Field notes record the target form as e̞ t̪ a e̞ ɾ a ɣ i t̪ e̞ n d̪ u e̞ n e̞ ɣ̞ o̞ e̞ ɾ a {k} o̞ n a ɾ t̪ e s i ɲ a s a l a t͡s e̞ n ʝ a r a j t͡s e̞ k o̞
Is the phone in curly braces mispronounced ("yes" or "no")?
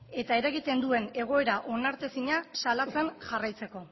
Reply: yes